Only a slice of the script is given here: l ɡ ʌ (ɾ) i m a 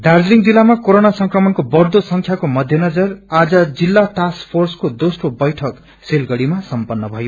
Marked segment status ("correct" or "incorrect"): incorrect